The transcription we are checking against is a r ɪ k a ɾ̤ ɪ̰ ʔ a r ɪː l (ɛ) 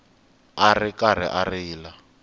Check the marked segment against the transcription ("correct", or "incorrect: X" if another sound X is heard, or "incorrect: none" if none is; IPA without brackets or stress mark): incorrect: a